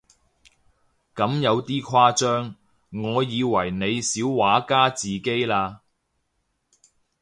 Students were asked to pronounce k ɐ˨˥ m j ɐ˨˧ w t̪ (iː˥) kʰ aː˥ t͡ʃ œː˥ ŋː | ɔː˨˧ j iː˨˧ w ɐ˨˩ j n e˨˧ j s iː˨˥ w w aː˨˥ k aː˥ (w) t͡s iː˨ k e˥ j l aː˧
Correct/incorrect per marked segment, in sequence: correct, incorrect

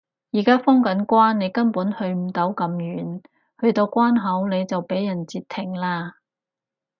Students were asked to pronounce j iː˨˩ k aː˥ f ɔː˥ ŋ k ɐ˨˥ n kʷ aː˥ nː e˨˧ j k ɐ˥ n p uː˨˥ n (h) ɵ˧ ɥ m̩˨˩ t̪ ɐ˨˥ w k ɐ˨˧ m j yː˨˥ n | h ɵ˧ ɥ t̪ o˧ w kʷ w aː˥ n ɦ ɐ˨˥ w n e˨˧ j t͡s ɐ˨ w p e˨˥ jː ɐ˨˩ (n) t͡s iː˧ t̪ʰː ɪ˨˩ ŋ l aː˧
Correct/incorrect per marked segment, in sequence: correct, correct

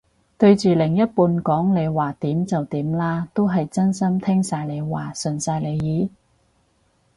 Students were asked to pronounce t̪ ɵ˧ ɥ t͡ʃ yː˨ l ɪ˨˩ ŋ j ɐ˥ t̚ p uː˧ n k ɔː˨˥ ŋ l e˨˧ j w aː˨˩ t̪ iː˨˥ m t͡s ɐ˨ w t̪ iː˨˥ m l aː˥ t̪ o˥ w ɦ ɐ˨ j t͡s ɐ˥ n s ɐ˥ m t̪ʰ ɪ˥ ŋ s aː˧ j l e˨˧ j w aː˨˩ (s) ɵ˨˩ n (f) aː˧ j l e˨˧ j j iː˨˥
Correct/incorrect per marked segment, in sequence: correct, incorrect

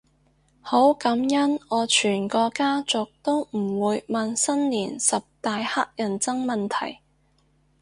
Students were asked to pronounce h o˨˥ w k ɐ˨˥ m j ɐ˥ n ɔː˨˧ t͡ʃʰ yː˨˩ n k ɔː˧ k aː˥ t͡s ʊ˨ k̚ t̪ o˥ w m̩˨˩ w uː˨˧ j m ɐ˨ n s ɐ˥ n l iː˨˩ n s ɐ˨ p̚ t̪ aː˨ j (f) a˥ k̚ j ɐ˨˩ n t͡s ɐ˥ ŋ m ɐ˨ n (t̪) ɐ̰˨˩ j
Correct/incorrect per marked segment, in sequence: incorrect, incorrect

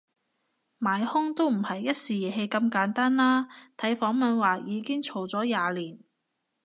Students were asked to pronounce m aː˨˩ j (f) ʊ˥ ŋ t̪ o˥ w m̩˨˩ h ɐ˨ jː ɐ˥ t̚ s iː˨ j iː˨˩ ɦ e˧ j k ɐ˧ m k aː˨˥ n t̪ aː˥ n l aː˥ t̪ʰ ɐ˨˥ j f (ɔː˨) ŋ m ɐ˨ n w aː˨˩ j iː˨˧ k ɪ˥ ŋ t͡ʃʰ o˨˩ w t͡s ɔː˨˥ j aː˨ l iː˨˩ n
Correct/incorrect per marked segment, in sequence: incorrect, incorrect

